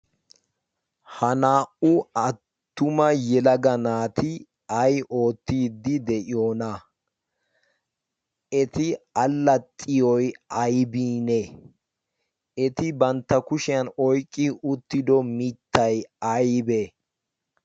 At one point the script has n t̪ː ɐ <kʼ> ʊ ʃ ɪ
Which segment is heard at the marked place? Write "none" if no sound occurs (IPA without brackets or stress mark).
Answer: k